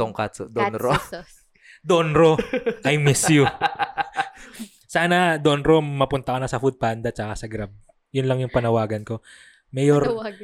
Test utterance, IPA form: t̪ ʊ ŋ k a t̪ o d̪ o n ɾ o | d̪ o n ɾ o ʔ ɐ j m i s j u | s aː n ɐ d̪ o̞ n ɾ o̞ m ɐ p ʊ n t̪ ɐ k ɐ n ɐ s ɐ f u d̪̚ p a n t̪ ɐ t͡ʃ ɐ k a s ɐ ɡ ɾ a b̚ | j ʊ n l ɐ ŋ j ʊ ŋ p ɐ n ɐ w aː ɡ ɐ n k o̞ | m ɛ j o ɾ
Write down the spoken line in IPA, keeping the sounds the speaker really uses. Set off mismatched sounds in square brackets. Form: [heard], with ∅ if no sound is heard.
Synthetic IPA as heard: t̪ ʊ ŋ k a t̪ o d̪ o n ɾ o | d̪ o n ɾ o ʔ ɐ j m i s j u | s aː n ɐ d̪ o̞ n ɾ o̞ m ɐ p ʊ n t̪ ɐ k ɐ n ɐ s ɐ f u d̪̚ p a n [d̪] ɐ t͡ʃ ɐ k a s ɐ ɡ ɾ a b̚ | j ʊ n l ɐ ŋ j ʊ ŋ p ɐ n ɐ w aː ɡ ɐ n k o̞ | m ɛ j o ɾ